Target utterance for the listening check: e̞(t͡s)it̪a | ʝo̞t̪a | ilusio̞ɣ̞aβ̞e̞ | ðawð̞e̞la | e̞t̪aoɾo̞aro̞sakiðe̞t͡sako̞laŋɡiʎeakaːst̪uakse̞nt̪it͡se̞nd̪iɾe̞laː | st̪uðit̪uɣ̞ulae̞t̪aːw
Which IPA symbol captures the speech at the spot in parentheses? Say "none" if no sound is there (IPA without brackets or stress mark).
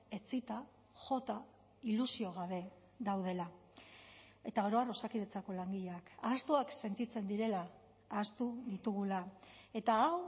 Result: t͡s